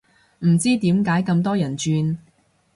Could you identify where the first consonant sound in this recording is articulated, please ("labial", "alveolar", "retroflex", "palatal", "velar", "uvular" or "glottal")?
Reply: labial